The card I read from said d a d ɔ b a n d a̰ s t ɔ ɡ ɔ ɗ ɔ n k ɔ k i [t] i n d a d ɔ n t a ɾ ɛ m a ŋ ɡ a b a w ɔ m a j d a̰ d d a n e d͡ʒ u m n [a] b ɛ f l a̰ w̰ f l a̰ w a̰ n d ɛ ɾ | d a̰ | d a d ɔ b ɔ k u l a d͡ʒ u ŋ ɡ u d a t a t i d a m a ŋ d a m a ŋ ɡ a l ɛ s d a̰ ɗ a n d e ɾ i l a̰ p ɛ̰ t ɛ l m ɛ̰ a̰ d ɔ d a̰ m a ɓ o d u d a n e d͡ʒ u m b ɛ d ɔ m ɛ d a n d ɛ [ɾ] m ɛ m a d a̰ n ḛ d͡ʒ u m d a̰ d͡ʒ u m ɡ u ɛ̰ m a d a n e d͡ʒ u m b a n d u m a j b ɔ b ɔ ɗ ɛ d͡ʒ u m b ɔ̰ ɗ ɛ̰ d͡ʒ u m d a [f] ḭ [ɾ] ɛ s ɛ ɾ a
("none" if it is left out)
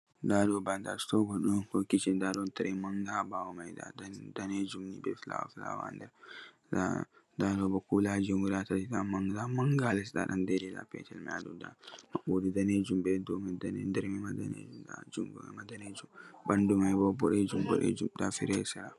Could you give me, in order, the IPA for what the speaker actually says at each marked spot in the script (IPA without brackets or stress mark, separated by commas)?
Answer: t͡ʃ, i, ɾ, f, ɾ